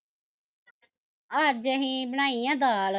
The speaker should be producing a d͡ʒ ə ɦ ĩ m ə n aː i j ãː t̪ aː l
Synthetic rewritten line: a d͡ʒ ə ɦ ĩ b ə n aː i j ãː d̪ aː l